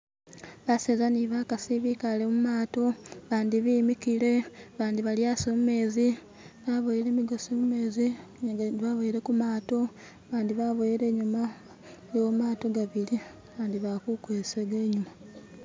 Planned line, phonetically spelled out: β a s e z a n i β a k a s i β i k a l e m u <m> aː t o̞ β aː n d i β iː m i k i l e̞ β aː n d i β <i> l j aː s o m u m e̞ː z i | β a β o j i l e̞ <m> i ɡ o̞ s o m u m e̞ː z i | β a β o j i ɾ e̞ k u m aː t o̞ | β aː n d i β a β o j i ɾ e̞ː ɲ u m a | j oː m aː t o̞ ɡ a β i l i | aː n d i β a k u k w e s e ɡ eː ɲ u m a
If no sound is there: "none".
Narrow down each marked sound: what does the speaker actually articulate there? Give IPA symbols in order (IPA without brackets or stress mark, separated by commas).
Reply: m, a, m